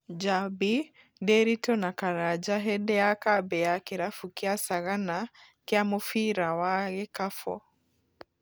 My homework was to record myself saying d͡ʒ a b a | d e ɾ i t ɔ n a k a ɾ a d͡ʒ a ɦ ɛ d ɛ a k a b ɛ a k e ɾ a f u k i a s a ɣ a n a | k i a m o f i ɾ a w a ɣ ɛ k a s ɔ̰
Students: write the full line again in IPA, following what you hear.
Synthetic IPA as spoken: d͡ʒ a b i | d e ɾ i t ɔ n a k a ɾ a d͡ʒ a ɦ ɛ d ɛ a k a b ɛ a k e ɾ a f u k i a s a ɣ a n a | k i a m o f i ɾ a w a ɣ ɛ k a f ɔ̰